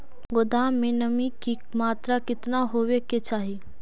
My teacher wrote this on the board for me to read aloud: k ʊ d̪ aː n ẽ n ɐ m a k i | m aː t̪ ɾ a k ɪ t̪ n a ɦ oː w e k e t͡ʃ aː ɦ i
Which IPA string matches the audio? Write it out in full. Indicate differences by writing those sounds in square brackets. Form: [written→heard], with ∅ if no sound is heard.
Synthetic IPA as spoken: [k→ɡ] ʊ d̪ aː [n→m] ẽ n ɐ m [a→i] k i | m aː t̪ ɾ a k ɪ t̪ n a ɦ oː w e k e t͡ʃ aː ɦ i